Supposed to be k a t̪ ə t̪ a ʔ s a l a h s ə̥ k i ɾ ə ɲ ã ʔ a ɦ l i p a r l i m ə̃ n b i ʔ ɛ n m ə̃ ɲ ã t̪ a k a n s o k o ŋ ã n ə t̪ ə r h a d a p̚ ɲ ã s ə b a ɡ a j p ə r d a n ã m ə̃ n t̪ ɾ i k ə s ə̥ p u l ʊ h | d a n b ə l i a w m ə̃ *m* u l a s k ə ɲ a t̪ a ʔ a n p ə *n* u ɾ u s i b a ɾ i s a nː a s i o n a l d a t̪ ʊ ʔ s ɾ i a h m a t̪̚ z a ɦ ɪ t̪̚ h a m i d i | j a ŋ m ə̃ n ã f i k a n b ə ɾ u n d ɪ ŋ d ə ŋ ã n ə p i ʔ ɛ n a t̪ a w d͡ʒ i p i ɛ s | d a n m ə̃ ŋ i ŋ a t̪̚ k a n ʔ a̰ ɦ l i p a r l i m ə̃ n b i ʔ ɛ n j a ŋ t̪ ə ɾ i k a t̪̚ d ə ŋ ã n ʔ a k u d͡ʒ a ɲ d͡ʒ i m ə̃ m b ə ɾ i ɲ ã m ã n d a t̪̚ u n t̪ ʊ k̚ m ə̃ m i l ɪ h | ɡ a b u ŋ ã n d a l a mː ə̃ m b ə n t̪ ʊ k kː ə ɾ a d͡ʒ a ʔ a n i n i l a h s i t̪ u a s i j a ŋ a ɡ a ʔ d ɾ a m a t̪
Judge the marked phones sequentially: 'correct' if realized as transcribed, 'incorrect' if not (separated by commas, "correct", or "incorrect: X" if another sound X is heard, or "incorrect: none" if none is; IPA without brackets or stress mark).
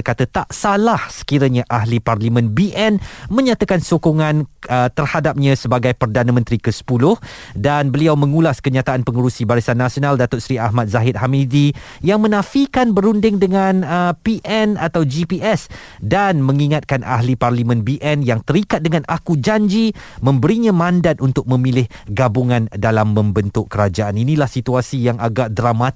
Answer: incorrect: ŋ, incorrect: ŋ